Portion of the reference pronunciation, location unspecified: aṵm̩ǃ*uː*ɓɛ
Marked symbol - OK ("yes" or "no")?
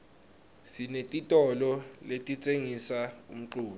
yes